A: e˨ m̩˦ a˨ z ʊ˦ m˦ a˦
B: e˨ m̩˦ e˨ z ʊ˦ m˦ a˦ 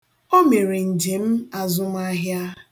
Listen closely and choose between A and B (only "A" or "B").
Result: A